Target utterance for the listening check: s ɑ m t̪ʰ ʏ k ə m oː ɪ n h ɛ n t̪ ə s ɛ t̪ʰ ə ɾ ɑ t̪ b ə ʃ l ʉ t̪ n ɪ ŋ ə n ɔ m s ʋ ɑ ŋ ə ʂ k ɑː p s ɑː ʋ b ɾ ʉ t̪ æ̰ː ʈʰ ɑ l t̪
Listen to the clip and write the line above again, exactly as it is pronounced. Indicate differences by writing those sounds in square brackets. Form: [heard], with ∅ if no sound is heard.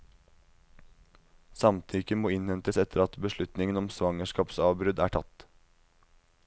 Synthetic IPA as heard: s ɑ m t̪ʰ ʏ k ə m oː ɪ n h ɛ n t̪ ə s ɛ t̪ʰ ə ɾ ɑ t̪ b ə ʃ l ʉ t̪ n ɪ ŋ ə n ɔ m s ʋ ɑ ŋ ə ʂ k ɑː p s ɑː ʋ b ɾ ʉ [d̪] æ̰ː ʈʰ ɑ [∅] t̪